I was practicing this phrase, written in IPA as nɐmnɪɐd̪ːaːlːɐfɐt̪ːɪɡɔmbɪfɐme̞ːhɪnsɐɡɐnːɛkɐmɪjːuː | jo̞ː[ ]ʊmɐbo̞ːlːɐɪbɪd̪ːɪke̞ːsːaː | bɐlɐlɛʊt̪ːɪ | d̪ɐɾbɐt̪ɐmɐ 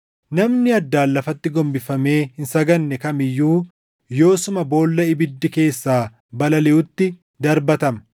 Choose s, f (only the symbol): s